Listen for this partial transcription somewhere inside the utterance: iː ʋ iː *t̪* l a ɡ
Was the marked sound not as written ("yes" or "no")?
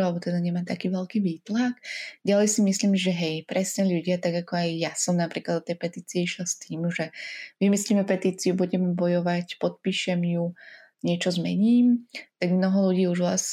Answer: no